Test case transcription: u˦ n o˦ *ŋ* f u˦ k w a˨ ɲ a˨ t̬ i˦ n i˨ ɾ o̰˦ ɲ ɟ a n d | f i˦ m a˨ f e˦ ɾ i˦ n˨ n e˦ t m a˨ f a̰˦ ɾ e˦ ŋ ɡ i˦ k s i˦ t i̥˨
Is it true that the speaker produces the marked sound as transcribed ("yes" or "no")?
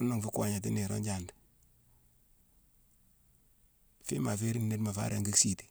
yes